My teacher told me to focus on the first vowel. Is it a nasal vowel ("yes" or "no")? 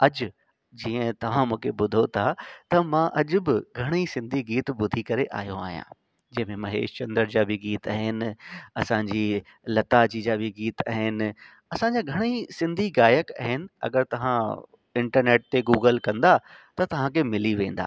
no